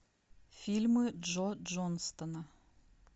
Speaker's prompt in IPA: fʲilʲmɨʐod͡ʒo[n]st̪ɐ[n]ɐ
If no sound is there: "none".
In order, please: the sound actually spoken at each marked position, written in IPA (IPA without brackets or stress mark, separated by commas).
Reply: n, n